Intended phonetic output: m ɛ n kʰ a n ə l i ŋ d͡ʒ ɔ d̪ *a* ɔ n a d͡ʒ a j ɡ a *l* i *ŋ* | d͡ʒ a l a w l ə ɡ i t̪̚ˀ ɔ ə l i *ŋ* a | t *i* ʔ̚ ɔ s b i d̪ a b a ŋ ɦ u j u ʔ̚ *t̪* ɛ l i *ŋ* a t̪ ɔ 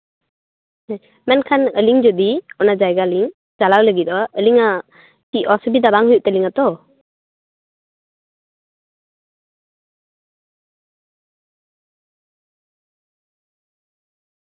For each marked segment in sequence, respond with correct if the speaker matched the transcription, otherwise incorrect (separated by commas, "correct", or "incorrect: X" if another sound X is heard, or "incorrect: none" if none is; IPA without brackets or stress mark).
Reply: incorrect: i, correct, correct, correct, correct, correct, correct